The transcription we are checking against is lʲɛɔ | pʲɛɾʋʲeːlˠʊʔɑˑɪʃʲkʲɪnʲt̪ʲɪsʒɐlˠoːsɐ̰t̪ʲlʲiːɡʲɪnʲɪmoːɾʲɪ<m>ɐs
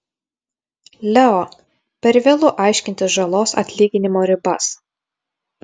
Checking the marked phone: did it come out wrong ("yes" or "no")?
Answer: yes